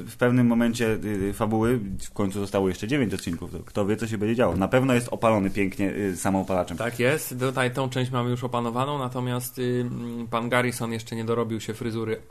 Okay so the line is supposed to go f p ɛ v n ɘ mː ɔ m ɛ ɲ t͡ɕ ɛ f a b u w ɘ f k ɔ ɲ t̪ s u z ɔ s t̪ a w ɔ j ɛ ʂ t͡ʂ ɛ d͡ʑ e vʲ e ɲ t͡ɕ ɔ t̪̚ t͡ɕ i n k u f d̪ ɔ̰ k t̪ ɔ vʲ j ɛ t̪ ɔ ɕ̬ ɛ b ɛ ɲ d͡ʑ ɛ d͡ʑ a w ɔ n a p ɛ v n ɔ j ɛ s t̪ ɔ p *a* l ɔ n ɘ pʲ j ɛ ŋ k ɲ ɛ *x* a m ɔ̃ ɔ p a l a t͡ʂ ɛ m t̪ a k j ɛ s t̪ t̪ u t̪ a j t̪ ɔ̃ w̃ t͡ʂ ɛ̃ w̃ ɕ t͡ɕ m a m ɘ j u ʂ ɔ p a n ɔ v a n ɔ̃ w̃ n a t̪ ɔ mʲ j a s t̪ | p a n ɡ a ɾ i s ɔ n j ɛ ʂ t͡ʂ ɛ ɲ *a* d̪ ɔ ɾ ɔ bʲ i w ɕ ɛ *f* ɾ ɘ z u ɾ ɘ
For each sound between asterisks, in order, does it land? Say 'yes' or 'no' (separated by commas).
yes, no, no, yes